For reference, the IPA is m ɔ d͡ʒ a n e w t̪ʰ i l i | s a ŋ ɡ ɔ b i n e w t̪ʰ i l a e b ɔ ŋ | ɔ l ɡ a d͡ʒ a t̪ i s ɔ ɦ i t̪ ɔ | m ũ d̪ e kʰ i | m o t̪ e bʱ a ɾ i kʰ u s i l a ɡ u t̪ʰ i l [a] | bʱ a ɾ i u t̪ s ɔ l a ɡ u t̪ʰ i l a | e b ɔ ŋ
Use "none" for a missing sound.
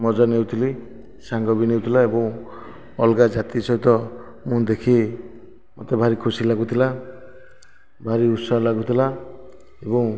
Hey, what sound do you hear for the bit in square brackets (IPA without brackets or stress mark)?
a